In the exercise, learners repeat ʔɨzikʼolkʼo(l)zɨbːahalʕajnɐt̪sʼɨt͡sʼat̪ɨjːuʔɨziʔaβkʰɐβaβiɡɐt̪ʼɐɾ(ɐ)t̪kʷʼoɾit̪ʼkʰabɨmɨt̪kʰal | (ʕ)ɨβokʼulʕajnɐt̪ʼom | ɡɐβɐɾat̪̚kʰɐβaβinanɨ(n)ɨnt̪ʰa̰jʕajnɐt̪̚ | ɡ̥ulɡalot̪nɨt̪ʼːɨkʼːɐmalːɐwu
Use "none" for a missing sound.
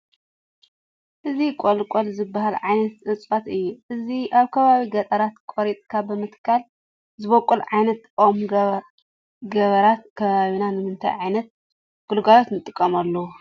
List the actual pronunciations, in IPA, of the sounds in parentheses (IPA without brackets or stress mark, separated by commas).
l, a, z, m